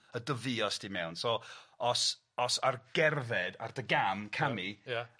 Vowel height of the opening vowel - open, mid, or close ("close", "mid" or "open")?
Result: mid